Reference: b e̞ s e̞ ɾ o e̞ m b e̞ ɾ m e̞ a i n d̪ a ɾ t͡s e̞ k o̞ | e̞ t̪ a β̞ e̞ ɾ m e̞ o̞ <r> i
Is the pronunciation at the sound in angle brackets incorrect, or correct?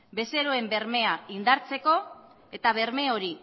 incorrect